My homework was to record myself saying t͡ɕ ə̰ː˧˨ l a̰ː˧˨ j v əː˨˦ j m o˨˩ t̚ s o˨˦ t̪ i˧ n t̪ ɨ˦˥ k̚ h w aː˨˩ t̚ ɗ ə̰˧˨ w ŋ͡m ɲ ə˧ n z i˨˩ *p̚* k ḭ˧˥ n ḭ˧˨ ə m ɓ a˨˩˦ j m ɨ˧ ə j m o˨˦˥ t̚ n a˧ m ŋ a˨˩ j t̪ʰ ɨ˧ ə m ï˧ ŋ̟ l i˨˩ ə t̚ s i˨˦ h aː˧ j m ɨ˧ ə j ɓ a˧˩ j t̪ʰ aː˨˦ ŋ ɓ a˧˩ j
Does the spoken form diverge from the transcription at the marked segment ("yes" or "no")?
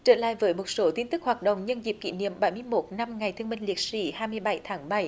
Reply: no